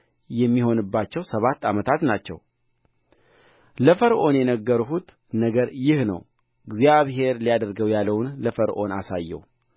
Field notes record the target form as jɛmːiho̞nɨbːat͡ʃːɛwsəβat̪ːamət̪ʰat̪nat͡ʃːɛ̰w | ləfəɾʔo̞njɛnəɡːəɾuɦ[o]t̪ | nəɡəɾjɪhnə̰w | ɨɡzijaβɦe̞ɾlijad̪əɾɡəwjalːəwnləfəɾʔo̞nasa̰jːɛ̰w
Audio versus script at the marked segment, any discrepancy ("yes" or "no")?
yes